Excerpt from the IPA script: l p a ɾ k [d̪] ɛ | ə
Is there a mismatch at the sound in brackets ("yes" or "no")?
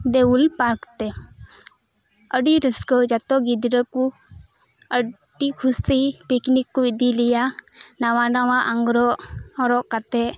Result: yes